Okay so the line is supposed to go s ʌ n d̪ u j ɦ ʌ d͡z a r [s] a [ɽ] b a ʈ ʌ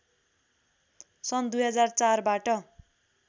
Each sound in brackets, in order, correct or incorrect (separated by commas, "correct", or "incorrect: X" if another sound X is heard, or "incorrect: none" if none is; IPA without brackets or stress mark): incorrect: t͡s, incorrect: r